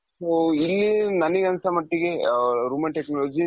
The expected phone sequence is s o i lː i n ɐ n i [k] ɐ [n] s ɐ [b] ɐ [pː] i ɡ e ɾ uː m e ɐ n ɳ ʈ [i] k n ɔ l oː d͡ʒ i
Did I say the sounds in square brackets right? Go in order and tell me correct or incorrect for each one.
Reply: incorrect: ɡ, correct, incorrect: m, incorrect: ʈː, incorrect: e

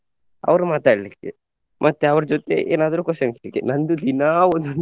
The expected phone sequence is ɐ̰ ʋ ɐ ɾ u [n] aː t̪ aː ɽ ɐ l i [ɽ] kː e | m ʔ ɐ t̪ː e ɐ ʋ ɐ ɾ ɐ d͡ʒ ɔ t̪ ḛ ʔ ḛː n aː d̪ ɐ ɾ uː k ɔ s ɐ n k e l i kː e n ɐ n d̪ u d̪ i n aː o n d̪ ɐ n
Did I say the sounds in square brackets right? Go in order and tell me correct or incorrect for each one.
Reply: incorrect: m, incorrect: none

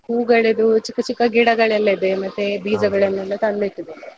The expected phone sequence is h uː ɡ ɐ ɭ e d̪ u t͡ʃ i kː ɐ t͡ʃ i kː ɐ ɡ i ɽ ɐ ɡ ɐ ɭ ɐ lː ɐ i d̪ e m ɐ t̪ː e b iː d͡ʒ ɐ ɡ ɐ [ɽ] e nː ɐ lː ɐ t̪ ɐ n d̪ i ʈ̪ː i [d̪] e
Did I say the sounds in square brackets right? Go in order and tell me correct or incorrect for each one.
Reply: incorrect: ɭ, correct

